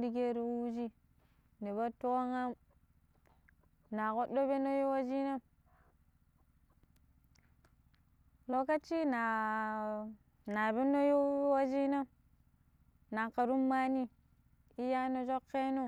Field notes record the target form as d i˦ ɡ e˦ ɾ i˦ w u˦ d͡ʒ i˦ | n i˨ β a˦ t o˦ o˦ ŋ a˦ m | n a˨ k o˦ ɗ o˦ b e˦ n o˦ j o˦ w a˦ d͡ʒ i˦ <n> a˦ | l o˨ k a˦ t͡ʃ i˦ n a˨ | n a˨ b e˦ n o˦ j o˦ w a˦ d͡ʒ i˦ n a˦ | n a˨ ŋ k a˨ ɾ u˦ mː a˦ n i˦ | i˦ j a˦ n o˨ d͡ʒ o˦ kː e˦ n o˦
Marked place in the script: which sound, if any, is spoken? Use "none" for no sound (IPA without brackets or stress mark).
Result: n